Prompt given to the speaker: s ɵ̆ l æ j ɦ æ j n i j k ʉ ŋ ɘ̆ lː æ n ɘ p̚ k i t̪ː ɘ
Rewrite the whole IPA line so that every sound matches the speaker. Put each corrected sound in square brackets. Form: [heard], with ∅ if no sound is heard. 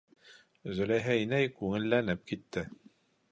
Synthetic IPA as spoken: [z] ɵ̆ l æ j ɦ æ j n [æ] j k ʉ ŋ ɘ̆ lː æ n ɘ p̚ k i t̪ː ɘ

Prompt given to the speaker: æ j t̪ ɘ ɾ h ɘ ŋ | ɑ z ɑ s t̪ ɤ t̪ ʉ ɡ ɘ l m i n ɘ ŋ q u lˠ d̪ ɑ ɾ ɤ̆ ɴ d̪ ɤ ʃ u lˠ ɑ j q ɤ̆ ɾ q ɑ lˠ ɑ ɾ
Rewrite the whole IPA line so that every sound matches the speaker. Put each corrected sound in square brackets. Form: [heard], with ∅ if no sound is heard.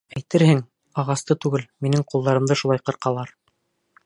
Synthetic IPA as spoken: æ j t̪ ɘ ɾ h ɘ ŋ | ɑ [ʁ] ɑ s t̪ ɤ t̪ ʉ ɡ ɘ l m i n ɘ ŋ q u lˠ d̪ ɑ ɾ ɤ̆ [m] d̪ ɤ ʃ u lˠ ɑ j q ɤ̆ ɾ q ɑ lˠ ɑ ɾ

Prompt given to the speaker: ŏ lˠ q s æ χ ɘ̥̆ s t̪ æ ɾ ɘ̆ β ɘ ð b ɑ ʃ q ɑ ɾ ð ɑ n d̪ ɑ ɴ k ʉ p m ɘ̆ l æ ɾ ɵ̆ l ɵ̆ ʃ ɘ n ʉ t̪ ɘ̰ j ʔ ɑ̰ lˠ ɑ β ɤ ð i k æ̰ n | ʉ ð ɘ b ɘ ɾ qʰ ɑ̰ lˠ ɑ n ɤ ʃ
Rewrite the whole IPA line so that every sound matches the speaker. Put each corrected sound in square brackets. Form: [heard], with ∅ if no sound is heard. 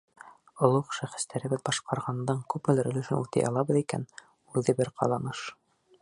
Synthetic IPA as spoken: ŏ lˠ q [ʃ] æ χ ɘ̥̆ s t̪ æ ɾ ɘ̆ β ɘ ð b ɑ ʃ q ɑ ɾ [ʁ] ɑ n d̪ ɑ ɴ k ʉ p m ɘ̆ l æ ɾ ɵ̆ l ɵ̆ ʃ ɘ n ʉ t̪ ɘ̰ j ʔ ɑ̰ lˠ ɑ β ɤ ð i k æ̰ n | ʉ ð ɘ b ɘ ɾ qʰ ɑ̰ lˠ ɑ n ɤ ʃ

